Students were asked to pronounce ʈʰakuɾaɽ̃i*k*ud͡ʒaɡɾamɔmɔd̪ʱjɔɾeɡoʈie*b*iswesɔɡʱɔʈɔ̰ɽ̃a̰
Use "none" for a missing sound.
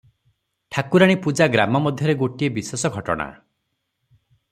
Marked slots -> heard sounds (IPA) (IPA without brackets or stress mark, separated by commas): p, b